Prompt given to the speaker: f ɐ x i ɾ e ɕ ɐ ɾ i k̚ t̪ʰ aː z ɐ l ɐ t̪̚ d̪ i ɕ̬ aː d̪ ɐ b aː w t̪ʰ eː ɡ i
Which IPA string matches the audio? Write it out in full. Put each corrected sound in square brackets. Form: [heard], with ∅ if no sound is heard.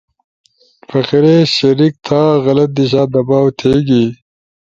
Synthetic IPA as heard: f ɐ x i ɾ e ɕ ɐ ɾ i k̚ t̪ʰ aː [ɣ] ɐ l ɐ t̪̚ d̪ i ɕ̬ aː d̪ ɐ b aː w t̪ʰ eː ɡ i